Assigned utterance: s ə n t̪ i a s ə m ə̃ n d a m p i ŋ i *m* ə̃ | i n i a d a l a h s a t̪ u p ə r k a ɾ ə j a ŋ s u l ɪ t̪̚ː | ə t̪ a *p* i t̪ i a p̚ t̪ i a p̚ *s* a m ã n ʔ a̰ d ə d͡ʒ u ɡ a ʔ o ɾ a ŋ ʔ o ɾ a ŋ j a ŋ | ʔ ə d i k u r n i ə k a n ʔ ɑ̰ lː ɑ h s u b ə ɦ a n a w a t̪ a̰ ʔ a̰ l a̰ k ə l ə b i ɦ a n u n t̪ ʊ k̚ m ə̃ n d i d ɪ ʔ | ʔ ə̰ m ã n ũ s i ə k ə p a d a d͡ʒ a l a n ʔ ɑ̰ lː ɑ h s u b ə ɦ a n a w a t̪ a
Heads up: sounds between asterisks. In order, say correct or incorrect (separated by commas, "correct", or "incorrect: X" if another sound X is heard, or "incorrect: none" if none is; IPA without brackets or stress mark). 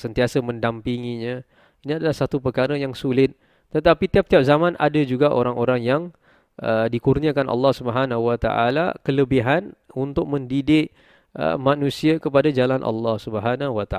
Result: incorrect: ɲ, correct, incorrect: z